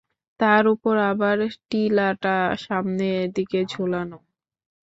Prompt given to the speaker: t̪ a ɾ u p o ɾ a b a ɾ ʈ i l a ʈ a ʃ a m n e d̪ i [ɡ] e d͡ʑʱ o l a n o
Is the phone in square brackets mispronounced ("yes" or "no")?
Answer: yes